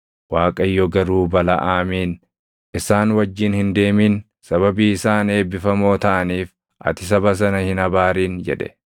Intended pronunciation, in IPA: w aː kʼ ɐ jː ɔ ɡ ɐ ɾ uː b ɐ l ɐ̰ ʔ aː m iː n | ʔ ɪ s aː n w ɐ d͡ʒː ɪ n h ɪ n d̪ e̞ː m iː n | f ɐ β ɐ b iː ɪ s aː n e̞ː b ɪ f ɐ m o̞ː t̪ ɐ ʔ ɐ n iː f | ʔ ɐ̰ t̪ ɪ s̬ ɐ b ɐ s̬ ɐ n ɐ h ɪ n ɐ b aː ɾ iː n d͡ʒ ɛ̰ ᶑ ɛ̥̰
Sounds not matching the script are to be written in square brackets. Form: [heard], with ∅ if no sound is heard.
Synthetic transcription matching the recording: w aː kʼ ɐ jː ɔ ɡ ɐ ɾ uː b ɐ l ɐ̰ ʔ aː m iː n | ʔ ɪ s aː n w ɐ d͡ʒː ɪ n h ɪ n d̪ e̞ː m iː n | [s] ɐ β ɐ b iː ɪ s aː n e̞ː b ɪ f ɐ m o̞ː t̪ ɐ ʔ ɐ n iː f | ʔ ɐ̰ t̪ ɪ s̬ ɐ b ɐ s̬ ɐ n ɐ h ɪ n ɐ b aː ɾ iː n d͡ʒ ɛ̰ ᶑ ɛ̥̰